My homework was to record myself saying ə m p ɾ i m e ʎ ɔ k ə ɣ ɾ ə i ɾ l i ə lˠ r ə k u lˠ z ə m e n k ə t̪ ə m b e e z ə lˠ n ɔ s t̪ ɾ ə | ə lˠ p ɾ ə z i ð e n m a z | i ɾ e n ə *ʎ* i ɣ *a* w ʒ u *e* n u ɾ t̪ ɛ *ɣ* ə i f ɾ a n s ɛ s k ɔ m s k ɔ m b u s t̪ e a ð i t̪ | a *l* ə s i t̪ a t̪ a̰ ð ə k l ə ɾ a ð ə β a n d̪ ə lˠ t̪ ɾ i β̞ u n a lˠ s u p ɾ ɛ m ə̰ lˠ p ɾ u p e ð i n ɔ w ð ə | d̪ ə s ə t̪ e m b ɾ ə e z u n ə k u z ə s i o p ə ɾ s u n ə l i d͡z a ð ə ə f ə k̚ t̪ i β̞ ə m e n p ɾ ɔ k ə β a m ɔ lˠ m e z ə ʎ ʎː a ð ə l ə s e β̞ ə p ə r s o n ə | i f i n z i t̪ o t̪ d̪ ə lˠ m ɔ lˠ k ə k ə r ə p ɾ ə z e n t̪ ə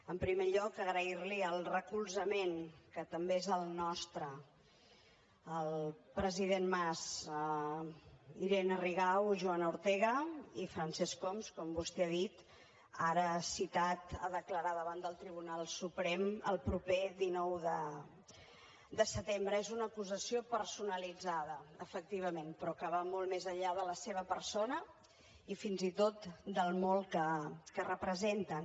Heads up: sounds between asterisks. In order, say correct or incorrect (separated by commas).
incorrect, correct, incorrect, correct, incorrect